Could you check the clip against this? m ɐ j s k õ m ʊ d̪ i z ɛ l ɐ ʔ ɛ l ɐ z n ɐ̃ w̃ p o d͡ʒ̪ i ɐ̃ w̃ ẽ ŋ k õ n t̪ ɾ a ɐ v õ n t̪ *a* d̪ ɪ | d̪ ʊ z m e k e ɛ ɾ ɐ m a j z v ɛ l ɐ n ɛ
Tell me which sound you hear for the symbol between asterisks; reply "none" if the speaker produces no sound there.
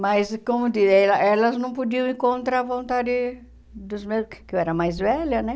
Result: a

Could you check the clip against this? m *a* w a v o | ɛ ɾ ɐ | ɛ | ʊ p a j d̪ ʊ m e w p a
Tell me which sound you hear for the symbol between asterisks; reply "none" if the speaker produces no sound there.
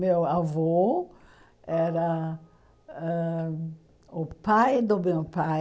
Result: e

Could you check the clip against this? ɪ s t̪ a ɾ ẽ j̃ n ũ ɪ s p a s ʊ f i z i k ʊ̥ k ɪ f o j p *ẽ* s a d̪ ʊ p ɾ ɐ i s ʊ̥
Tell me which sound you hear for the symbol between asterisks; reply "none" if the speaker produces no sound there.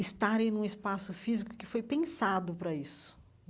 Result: ẽ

